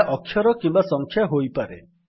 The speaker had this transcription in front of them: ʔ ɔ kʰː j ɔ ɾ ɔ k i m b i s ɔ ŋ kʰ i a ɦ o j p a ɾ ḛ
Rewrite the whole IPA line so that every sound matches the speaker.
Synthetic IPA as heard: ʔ ɔ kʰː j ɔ ɾ ɔ k i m b a s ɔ ŋ kʰ j a ɦ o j p a ɾ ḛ